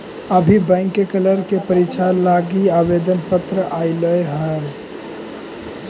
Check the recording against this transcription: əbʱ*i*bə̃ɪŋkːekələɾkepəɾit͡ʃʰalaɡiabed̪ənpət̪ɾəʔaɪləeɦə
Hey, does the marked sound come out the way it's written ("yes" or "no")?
yes